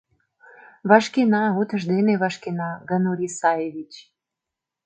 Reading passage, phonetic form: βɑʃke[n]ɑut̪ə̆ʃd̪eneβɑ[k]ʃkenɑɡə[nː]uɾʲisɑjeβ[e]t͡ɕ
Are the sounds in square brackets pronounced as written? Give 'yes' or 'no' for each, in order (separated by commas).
yes, no, no, no